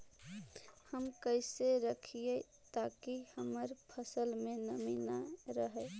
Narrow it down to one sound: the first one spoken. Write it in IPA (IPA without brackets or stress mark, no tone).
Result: h